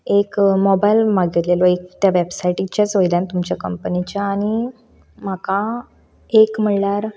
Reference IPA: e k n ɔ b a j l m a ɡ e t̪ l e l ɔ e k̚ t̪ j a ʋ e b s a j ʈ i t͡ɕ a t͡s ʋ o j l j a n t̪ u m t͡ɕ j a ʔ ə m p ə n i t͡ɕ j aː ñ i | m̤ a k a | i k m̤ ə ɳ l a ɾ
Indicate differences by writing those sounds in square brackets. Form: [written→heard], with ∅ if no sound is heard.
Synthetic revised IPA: e k [n→m] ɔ b a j l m a ɡ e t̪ l e l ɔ e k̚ t̪ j a ʋ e b s a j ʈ i t͡ɕ a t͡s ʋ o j l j a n t̪ u m t͡ɕ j a [ʔ→k] ə m p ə n i t͡ɕ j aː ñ i | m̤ a k a | [i→e] k m̤ ə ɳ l a ɾ